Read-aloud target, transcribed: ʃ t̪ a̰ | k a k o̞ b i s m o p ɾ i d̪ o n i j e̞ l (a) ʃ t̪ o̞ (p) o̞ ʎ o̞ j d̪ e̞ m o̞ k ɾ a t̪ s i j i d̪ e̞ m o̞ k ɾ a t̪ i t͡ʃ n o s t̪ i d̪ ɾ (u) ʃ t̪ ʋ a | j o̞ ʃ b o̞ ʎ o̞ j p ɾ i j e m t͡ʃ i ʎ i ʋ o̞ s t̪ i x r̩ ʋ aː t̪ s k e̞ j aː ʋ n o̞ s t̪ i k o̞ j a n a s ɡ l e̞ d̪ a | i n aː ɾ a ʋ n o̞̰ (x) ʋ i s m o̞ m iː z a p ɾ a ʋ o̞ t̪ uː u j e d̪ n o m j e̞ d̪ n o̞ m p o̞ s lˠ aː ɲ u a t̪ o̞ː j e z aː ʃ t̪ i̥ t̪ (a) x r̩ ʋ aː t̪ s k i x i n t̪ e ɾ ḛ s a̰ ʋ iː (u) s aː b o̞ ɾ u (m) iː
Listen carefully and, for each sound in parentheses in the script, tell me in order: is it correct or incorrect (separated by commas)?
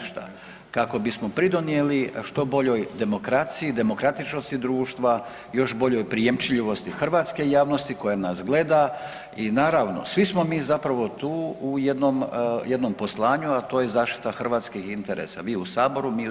incorrect, incorrect, incorrect, incorrect, correct, correct, correct